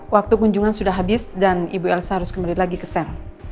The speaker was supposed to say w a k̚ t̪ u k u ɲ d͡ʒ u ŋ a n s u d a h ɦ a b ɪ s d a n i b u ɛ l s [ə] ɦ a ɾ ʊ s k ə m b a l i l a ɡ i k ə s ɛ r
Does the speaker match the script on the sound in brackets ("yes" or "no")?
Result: no